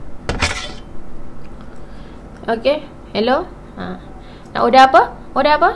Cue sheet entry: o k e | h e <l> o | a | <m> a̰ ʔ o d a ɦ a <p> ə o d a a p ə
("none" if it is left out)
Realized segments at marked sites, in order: l, n, p

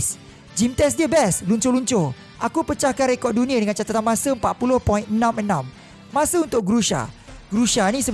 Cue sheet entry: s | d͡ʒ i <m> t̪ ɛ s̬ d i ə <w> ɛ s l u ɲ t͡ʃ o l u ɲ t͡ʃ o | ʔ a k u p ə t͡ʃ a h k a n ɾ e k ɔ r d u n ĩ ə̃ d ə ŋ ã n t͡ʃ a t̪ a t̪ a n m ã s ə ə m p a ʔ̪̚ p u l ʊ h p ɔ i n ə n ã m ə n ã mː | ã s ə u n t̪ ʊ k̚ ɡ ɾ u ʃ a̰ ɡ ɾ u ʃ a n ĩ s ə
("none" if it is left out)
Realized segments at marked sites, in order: m, b

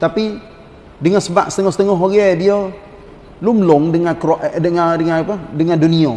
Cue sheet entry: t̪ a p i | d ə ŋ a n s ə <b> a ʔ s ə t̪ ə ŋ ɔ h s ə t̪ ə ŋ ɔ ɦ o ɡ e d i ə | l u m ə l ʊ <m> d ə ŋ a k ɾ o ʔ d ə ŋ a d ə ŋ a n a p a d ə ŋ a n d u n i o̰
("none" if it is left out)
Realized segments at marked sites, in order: b, ŋ

